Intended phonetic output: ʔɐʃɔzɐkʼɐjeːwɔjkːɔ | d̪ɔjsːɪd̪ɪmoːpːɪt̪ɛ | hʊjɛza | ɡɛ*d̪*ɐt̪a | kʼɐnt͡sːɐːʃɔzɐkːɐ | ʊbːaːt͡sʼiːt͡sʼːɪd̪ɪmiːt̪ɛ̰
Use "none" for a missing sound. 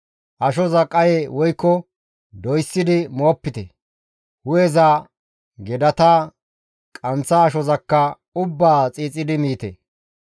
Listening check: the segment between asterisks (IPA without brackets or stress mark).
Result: d̪